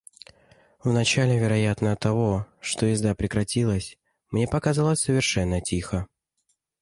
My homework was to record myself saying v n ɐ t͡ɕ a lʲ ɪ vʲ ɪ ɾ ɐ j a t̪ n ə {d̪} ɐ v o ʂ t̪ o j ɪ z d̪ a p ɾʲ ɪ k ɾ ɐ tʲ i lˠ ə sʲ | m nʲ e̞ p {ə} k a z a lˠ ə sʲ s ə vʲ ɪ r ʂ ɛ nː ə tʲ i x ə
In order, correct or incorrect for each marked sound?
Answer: incorrect, incorrect

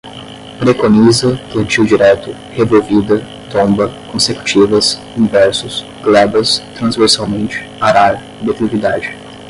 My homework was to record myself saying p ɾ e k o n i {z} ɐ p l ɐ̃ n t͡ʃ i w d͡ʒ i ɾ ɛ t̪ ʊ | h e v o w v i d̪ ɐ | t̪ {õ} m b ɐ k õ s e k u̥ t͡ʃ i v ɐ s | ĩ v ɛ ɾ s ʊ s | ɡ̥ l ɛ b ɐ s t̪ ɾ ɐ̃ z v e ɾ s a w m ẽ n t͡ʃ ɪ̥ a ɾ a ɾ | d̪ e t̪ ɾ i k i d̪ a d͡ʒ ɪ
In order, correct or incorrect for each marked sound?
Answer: correct, correct

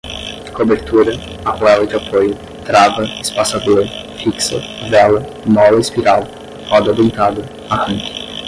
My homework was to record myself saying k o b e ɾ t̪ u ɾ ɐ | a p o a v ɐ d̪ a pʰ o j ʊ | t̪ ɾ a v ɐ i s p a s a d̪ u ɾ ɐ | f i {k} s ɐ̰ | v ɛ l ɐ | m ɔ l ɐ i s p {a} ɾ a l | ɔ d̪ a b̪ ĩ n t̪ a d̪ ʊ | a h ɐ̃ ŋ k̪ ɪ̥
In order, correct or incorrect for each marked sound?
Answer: correct, incorrect

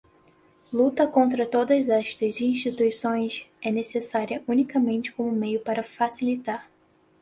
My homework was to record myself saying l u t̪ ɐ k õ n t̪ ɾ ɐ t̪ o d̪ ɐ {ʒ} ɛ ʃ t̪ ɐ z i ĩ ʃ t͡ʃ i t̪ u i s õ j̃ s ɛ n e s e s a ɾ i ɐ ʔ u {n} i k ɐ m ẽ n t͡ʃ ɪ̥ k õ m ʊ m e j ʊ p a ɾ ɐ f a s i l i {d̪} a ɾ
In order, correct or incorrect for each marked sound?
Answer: incorrect, correct, incorrect

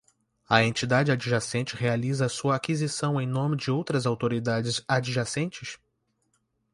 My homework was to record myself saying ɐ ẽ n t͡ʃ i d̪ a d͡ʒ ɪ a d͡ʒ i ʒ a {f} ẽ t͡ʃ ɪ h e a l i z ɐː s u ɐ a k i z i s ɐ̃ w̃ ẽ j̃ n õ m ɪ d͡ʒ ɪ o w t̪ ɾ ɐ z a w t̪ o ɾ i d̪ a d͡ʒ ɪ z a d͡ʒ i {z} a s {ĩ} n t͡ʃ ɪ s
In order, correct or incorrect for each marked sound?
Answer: incorrect, incorrect, incorrect

